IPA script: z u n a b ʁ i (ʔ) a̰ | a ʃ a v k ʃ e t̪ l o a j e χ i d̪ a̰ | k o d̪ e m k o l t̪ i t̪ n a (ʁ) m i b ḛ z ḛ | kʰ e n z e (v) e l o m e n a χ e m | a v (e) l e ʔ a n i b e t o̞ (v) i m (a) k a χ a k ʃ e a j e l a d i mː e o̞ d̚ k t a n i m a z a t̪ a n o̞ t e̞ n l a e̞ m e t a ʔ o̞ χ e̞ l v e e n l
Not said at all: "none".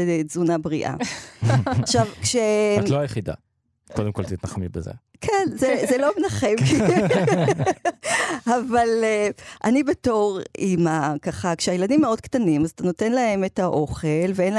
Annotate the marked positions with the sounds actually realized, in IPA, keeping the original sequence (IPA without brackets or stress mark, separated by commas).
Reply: ʔ, χ, z, a, ʁ, a